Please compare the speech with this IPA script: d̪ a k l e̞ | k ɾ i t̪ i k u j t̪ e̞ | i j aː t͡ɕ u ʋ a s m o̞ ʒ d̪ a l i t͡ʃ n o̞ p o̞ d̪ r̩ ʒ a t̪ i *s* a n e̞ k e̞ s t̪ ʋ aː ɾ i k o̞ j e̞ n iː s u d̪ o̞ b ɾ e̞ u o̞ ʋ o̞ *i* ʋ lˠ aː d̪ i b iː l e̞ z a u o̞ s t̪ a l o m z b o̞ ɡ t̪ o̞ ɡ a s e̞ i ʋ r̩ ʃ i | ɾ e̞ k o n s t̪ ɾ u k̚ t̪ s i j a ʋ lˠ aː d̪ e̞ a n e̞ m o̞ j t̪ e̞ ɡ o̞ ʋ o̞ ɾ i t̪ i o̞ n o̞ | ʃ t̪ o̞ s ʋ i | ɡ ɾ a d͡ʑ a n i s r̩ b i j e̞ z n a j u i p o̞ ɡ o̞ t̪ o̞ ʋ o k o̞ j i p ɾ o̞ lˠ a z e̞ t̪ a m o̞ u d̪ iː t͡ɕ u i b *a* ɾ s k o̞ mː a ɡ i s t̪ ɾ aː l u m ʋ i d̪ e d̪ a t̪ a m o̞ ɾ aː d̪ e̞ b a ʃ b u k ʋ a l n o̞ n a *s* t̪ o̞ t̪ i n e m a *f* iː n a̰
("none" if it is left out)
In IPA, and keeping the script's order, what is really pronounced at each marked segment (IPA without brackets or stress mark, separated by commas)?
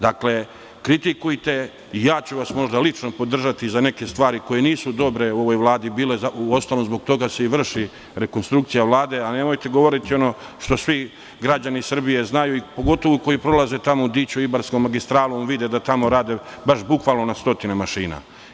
z, j, a, s, ʃ